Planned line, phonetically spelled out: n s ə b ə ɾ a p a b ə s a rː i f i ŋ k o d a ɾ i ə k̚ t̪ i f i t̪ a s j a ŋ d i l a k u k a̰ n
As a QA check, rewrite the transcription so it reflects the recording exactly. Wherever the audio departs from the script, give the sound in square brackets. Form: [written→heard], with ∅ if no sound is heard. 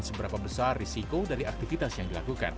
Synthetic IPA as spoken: n s ə b ə ɾ a p a b ə s a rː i [f→s] i [ŋ→∅] k o d a ɾ i [ə→a] k̚ t̪ i f i t̪ a s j a ŋ d i l a k u k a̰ n